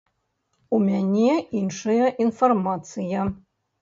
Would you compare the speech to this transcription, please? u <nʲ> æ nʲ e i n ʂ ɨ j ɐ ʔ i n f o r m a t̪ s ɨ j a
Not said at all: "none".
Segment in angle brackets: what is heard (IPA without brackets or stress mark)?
mʲ